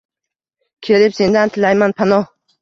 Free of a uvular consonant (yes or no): yes